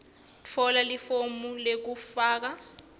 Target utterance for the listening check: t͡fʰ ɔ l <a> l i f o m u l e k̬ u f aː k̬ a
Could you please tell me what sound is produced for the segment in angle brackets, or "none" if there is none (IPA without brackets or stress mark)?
a